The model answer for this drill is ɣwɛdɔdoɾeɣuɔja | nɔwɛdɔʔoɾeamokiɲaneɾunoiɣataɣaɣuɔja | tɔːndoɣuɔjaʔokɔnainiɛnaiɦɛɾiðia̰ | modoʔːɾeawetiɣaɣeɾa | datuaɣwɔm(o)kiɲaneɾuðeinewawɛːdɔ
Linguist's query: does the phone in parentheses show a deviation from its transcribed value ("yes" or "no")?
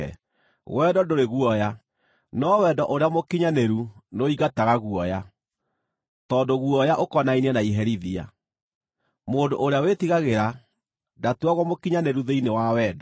no